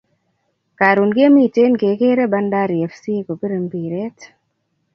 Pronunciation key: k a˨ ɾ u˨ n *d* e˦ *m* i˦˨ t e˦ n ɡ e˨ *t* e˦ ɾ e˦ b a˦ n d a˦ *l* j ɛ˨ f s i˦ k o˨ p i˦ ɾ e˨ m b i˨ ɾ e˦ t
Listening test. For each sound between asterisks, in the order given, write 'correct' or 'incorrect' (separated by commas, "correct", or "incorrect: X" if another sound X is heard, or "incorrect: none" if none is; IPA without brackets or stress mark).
incorrect: ɡ, correct, incorrect: k, incorrect: ɾ